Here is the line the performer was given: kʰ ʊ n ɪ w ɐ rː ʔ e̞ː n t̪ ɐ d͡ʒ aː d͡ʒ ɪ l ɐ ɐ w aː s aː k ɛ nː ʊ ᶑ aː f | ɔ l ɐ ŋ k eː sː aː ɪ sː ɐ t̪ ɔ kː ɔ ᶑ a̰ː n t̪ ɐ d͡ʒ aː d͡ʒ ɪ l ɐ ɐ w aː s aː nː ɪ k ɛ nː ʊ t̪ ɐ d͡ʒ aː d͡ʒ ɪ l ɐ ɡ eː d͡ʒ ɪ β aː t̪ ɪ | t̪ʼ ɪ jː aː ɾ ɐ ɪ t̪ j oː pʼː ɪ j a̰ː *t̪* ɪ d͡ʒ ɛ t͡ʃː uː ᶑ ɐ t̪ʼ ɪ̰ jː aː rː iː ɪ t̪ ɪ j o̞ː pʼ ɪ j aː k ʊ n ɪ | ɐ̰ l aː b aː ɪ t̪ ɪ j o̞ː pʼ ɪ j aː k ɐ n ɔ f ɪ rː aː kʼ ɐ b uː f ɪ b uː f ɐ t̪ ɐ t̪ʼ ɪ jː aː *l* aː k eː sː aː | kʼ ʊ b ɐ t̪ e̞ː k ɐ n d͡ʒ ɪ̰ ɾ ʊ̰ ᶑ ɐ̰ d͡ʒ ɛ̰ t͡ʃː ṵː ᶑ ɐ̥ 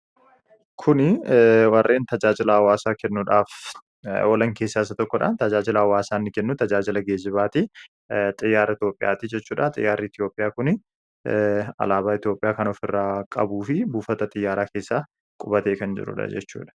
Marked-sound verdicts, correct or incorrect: correct, incorrect: ɾ

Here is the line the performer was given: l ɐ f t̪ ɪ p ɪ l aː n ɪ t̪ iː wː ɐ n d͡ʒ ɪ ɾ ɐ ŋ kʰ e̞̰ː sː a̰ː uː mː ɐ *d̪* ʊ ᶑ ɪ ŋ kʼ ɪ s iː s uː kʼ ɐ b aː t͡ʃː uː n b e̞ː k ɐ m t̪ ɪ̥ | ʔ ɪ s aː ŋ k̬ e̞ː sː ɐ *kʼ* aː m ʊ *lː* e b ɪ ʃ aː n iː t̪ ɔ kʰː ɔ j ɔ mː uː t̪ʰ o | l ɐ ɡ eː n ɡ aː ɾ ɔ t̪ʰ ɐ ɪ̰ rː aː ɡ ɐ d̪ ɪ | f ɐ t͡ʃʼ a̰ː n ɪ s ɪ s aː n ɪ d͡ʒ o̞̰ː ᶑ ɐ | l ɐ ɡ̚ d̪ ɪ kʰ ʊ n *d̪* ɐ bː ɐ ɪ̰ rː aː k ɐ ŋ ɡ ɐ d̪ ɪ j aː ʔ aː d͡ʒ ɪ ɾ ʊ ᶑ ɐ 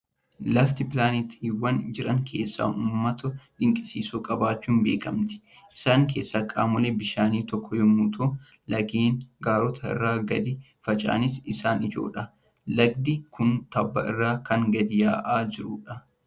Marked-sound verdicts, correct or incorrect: incorrect: t̪, correct, incorrect: l, incorrect: t̪

